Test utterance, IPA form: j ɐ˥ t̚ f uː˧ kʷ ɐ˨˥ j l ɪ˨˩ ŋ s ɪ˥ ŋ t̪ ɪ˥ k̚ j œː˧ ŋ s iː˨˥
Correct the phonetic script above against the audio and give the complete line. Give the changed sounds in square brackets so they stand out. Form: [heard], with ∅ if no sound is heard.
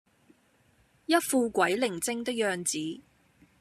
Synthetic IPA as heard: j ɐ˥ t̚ f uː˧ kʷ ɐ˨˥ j l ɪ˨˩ ŋ [t͡s] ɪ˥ ŋ t̪ ɪ˥ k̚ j œː˧ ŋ [t͡s] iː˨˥